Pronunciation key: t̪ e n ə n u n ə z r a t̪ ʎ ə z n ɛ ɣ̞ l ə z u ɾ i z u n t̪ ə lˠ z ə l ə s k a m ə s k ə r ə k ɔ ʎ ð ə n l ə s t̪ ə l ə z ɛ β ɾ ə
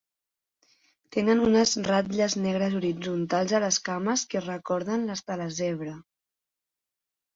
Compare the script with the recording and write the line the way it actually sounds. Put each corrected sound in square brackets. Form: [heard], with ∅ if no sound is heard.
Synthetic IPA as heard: t̪ e n ə n u n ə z r a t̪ ʎ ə z n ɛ ɣ̞ [ɾ] ə z u ɾ i [d͡z] u n t̪ [a] lˠ z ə l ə s k a m ə s k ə r ə k ɔ [ɾ] ð ə n l ə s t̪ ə l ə z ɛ β ɾ ə